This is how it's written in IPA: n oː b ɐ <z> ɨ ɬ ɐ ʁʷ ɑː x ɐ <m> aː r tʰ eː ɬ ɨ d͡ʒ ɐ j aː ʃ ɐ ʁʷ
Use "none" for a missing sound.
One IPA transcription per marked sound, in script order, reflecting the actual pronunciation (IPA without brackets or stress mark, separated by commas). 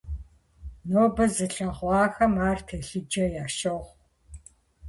z, m